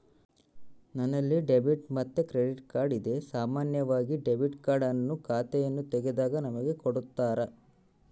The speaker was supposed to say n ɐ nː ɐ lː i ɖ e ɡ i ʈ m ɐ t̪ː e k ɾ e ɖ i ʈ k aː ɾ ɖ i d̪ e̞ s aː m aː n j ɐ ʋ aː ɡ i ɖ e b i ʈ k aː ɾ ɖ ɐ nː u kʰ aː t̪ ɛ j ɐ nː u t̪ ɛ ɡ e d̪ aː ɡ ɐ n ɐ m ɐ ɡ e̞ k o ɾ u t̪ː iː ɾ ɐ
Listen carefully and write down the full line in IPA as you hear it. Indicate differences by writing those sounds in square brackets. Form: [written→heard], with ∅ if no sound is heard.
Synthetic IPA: n ɐ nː ɐ lː i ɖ e [ɡ→b] i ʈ m ɐ t̪ː e k ɾ e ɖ i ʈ k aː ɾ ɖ i d̪ e̞ s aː m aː n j ɐ ʋ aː ɡ i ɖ e b i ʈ k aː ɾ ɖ ɐ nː u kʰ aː t̪ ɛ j ɐ nː u t̪ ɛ ɡ e d̪ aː ɡ ɐ n ɐ m ɐ ɡ e̞ k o [ɾ→ɽ] u t̪ː [iː→aː] ɾ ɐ